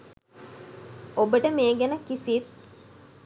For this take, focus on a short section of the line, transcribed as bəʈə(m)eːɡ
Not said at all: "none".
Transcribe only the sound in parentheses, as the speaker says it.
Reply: m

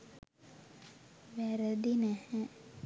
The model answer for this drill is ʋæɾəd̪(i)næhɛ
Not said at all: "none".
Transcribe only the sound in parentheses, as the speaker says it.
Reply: i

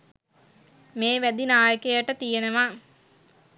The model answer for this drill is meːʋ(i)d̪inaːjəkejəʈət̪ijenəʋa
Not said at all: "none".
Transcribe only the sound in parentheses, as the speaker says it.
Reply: æ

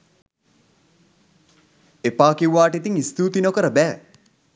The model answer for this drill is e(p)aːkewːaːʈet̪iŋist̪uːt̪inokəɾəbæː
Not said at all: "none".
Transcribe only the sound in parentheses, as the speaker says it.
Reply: p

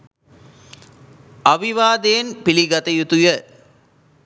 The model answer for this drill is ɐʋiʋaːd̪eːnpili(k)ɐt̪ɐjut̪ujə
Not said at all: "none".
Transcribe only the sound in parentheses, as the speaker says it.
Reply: ɡ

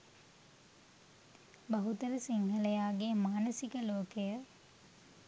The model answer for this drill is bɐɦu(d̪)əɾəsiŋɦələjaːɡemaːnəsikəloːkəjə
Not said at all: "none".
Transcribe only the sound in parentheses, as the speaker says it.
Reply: t̪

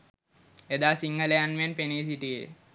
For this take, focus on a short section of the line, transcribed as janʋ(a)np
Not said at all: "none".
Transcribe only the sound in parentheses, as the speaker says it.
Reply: e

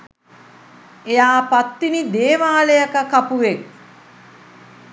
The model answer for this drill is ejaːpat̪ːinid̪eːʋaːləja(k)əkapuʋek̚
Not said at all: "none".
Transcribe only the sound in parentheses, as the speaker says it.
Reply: k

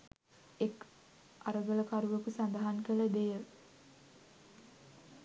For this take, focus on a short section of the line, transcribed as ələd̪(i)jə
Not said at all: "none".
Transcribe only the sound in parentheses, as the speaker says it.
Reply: e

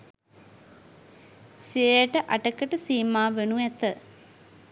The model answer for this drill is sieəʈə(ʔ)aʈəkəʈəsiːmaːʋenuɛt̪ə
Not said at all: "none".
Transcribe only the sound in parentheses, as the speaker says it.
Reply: ʔ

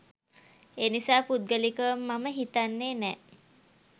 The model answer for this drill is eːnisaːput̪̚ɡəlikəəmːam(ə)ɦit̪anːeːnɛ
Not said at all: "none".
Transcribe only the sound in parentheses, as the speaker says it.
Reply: ə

